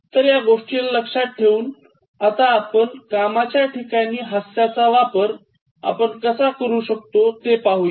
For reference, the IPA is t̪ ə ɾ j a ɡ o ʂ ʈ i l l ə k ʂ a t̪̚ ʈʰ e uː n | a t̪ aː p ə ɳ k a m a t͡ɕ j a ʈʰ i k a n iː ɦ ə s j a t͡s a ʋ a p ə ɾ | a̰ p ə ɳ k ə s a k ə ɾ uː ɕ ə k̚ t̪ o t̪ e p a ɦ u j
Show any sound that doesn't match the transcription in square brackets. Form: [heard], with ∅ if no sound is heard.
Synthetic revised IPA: t̪ ə ɾ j a ɡ o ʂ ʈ i l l ə k ʂ a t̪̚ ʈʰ e uː n | a t̪ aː p ə ɳ k a m a t͡ɕ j a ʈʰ i k a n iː ɦ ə s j a t͡s a ʋ a p ə ɾ | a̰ p ə ɳ k ə s a k ə ɾ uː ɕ ə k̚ t̪ o t̪ e p a ɦ u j